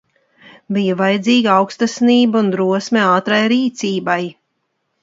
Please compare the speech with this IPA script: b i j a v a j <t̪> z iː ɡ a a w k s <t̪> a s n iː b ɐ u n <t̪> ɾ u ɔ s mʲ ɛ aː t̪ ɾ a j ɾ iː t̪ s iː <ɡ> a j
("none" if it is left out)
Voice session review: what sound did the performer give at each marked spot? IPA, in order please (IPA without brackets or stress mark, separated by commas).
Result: d̪, t̪, d̪, b